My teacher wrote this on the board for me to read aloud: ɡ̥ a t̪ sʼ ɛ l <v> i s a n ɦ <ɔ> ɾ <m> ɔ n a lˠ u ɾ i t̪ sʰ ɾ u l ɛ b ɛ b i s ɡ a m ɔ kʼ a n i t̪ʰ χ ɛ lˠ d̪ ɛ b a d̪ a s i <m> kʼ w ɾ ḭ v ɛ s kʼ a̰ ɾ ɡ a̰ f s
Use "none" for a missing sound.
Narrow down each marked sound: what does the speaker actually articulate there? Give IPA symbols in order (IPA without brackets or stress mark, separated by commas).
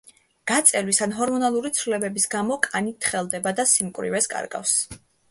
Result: w, ɔ, m, m